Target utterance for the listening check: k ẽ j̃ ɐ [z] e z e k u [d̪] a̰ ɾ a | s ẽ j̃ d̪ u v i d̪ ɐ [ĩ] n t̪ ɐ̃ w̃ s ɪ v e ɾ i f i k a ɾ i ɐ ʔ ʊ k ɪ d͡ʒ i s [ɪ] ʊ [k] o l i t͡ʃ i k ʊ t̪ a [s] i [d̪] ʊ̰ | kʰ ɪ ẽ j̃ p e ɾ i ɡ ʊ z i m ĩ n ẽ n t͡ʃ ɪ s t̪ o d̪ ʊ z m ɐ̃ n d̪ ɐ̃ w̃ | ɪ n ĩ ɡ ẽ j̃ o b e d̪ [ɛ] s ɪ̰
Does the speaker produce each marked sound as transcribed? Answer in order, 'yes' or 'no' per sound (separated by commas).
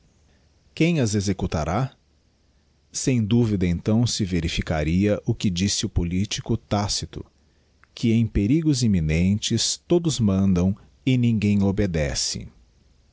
yes, no, no, yes, no, yes, no, yes